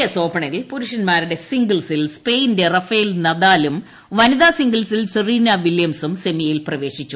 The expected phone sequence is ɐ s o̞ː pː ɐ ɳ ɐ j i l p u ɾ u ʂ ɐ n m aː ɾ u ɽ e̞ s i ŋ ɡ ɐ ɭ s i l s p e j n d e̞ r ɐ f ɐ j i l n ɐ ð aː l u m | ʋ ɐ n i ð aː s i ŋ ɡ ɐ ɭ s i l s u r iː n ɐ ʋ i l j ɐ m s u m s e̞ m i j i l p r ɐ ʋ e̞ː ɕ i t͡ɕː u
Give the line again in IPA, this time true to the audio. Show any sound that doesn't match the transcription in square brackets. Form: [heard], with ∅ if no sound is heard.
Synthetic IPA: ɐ s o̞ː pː ɐ ɳ ɐ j i l p u ɾ u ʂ ɐ n m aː ɾ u ɽ e̞ s i ŋ ɡ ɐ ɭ s i l s p e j n d e̞ r ɐ f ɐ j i l n ɐ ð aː l u m | ʋ ɐ n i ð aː s i ŋ ɡ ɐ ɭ s i l s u r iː n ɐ ʋ i l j ɐ m s u m s e̞ m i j i l p r ɐ ʋ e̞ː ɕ i t͡ɕː u

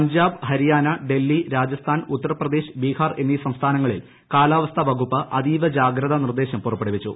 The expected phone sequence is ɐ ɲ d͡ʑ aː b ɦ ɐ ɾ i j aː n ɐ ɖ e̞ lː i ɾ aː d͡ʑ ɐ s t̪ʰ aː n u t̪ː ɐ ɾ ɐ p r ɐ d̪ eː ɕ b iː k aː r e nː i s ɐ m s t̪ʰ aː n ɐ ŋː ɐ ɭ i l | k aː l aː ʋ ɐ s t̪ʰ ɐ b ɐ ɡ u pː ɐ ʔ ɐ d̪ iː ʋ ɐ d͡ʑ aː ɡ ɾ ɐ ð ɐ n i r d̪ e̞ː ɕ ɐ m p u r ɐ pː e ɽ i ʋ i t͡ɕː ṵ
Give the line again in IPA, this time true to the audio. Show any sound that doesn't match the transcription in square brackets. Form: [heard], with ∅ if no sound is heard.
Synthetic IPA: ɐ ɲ d͡ʑ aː b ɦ ɐ ɾ i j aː n ɐ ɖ e̞ lː i ɾ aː d͡ʑ ɐ s t̪ʰ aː n u t̪ː ɐ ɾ ɐ p r ɐ d̪ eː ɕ b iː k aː r e nː i s ɐ m s t̪ʰ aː n ɐ ŋː ɐ ɭ i l | k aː l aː ʋ ɐ s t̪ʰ ɐ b ɐ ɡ u pː ɐ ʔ ɐ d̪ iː ʋ ɐ d͡ʑ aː ɡ ɾ ɐ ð ɐ n i r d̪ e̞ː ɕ ɐ m p u r ɐ pː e ɽ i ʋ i t͡ɕː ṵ

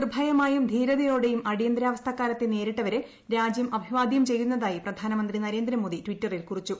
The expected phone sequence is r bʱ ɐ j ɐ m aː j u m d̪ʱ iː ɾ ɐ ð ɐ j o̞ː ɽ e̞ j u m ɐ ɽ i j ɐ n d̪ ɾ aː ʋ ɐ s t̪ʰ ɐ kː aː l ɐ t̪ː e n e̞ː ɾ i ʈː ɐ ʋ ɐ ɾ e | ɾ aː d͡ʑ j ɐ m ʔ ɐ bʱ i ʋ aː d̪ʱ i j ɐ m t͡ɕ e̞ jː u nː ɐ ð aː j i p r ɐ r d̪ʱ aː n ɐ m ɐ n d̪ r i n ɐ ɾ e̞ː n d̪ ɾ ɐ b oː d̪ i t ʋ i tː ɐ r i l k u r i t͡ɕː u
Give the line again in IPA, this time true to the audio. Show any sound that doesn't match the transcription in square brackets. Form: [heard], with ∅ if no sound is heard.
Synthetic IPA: r bʱ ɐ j ɐ m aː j u m d̪ʱ iː ɾ ɐ ð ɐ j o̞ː ɽ e̞ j u m ɐ ɽ i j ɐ n d̪ ɾ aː ʋ ɐ s t̪ʰ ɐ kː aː l ɐ t̪ː e n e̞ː ɾ i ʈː ɐ ʋ ɐ ɾ e | ɾ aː d͡ʑ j ɐ m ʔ ɐ bʱ i ʋ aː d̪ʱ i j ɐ m t͡ɕ e̞ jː u nː ɐ ð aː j i p r ɐ [∅] d̪ʱ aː n ɐ m ɐ n d̪ r i n ɐ ɾ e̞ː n d̪ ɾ ɐ [m] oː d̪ i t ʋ i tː ɐ r i l k u r i t͡ɕː u

